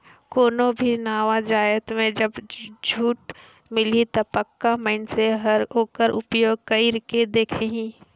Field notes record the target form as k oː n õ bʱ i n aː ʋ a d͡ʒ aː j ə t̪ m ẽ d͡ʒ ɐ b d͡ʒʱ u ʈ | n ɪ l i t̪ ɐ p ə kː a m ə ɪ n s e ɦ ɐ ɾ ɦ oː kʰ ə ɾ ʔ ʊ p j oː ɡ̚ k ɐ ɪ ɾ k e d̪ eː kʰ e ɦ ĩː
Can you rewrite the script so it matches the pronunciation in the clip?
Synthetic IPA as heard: k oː n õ bʱ i n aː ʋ a d͡ʒ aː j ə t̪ m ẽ d͡ʒ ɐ b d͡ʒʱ uː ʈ | m ɪ l i t̪ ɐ p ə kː a m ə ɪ n s e ɦ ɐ ɾ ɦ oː k ə ɾ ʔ ʊ p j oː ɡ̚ k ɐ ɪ ɾ k e d̪ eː kʰ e ɦ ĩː